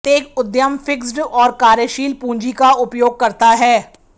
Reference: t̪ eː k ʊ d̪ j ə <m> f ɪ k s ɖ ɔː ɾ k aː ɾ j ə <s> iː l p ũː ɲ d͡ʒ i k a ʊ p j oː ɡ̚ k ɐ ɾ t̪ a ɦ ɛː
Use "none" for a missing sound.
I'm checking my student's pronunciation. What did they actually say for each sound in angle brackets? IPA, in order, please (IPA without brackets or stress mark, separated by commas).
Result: m, ʃ